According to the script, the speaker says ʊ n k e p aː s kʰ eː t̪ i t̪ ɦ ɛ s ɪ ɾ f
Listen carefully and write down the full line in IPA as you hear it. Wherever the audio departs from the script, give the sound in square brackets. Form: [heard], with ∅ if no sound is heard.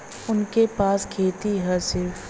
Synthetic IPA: ʊ n k e p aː s kʰ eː t̪ i [∅] ɦ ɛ s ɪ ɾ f